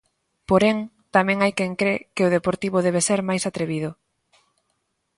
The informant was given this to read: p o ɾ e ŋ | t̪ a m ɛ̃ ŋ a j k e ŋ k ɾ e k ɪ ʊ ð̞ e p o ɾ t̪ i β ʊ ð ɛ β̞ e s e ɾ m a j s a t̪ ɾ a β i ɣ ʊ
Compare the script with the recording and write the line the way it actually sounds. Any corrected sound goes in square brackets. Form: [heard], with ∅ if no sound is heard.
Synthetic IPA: p o ɾ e ŋ | t̪ a m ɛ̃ ŋ a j k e ŋ k ɾ e k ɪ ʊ ð̞ e p o ɾ t̪ i β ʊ ð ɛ β̞ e s e ɾ m a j s a t̪ ɾ [e] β i [ð] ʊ

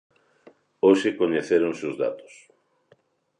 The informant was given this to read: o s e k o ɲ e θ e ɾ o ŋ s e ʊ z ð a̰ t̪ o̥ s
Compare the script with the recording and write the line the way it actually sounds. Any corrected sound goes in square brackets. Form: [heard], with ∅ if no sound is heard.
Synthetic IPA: o [ʃ] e k o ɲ e θ e ɾ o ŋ s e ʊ z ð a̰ t̪ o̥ s

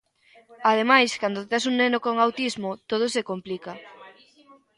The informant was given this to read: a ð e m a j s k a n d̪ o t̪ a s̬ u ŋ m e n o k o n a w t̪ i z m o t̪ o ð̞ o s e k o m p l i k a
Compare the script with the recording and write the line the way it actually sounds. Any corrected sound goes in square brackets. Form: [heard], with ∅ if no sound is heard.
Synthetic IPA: a ð e m a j s k a n d̪ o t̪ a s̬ u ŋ [n] e n o k o [ŋ] a w t̪ i z m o t̪ o ð̞ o s e k o m p l i k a

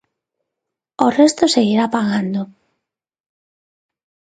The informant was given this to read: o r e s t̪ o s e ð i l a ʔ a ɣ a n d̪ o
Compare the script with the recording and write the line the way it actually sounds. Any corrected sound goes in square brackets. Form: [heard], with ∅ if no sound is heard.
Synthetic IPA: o r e s t̪ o s e [ɣ] i [ɾ] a [p] a ɣ a n d̪ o

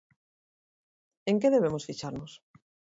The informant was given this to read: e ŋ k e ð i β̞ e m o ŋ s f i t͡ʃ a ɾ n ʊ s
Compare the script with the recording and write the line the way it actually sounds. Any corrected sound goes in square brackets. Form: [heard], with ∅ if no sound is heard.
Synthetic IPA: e ŋ k e ð [e] β̞ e m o [∅] s f i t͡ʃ a ɾ n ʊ s

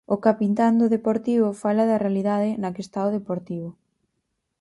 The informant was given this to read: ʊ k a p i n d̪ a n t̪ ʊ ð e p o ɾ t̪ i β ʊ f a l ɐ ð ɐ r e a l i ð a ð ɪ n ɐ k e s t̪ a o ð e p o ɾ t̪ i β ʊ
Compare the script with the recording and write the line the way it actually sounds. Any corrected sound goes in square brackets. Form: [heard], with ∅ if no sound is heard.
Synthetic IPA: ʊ k a p i n [t̪] a n [d̪] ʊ ð e p o ɾ t̪ i β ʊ f a l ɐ ð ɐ r e a l i ð a ð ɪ n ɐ k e s t̪ a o ð e p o ɾ t̪ i β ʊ

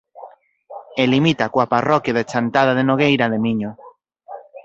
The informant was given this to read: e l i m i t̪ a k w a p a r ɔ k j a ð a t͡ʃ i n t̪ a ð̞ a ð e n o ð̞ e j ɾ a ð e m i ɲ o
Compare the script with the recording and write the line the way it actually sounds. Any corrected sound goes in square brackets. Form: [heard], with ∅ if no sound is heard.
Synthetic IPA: e l i m i t̪ a k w a p a r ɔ k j a ð [e] t͡ʃ [a] n t̪ a ð̞ a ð e n o [ɣ̞] e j ɾ a ð e m i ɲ o

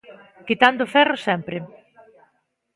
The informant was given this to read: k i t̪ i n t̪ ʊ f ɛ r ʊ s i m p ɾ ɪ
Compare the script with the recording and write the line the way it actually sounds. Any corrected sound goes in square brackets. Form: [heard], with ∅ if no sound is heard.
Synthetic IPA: k i t̪ [a] n [d̪] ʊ f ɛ r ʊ s [ɛ] m p ɾ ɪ

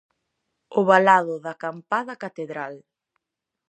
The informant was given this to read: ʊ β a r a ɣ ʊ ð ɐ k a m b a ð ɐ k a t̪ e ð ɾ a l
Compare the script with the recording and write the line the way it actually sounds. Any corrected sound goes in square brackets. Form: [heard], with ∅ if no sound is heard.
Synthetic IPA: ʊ β a [l] a [ð] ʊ ð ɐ k a m [p] a ð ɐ k a t̪ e ð ɾ a l

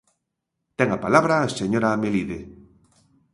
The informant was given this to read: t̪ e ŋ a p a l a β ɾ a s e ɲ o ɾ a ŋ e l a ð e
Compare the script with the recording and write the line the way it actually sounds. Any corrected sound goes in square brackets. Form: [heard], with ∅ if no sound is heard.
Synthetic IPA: t̪ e ŋ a p a l a β ɾ a s e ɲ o ɾ a [m] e l [i] ð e

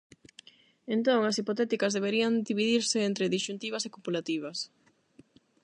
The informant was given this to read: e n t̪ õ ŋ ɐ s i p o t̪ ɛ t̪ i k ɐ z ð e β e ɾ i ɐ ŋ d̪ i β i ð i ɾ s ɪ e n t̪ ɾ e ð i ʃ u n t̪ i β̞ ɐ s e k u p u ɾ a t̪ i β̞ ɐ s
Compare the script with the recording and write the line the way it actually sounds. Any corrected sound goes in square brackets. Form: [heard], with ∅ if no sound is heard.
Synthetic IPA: e n t̪ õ ŋ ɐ s i p o t̪ ɛ t̪ i k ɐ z ð e β e ɾ i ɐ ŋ d̪ i β i ð i ɾ s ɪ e n t̪ ɾ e ð i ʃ u n t̪ i β̞ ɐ s e k u p u [l] a t̪ i β̞ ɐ s

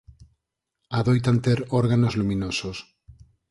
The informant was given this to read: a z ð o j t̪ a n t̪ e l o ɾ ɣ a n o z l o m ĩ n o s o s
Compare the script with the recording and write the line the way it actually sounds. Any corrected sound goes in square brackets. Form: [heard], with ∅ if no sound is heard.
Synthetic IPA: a [∅] ð o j t̪ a n t̪ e [ɾ] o ɾ ɣ a n o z l [u] m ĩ n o s o s

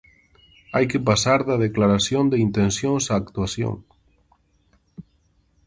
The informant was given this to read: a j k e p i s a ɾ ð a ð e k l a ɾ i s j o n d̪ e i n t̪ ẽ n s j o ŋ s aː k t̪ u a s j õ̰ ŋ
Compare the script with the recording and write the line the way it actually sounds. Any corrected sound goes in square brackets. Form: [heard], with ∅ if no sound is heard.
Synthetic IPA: a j k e p [a] s a ɾ ð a ð e k l a ɾ [a] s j o n d̪ e i n t̪ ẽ n s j o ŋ s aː k t̪ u a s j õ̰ ŋ

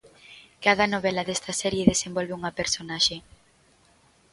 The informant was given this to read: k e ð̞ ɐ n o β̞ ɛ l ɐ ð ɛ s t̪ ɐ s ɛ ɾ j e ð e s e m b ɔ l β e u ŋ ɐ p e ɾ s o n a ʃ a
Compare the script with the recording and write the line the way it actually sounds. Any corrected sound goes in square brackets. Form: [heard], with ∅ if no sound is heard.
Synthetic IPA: k [a] ð̞ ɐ n o β̞ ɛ l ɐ ð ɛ s t̪ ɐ s ɛ ɾ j e ð e s e m b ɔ l β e u ŋ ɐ p e ɾ s o n a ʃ [e]

